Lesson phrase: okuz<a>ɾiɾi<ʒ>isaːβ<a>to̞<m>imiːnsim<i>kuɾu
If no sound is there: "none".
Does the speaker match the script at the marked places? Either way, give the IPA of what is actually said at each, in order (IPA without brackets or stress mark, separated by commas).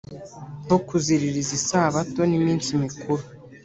i, z, a, n, i